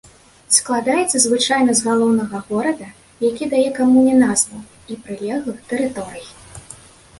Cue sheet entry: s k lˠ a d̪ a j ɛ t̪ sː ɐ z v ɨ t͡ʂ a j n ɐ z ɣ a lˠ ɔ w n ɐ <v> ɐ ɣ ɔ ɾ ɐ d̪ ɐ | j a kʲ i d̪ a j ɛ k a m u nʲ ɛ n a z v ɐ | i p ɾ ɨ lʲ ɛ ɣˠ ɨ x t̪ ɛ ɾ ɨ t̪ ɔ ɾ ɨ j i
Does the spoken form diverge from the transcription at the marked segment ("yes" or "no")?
yes